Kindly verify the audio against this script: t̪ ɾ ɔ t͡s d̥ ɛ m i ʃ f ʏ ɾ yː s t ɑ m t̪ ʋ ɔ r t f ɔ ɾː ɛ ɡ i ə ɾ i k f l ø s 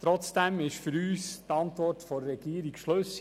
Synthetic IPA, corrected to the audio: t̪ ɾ ɔ t͡s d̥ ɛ m ɪ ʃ f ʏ ɾ yː s t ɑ n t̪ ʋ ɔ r t f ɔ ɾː ɛ ɡ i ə ɾ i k ʃ l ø s